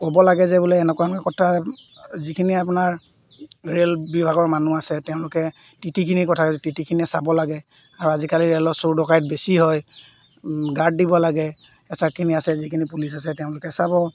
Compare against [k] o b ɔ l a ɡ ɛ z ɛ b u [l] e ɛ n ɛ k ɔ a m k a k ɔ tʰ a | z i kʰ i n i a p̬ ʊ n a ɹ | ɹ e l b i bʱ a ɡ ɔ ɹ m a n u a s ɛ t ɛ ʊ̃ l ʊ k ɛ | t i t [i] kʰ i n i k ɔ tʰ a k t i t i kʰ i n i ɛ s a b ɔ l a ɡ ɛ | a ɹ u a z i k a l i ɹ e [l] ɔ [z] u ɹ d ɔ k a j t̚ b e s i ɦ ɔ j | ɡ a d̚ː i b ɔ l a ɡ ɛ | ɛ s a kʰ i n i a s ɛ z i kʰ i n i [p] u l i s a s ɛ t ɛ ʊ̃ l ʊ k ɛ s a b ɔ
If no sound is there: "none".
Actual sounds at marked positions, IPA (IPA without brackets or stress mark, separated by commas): k, l, i, l, s, p